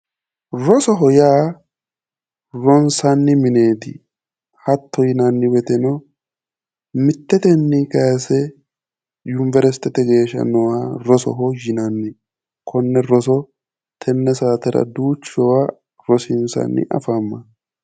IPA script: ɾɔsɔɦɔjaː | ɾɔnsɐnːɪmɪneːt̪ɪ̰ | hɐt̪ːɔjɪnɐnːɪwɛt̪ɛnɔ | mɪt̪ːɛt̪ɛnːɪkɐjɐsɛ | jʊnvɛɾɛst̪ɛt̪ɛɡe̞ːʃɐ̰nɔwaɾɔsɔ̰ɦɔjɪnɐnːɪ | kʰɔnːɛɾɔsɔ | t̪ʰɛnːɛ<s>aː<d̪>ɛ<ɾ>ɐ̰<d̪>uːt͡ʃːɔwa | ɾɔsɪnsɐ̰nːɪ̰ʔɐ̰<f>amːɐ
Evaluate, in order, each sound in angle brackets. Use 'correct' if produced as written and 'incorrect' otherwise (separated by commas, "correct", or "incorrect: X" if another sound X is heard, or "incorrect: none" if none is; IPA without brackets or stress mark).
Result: correct, incorrect: t̪, correct, correct, correct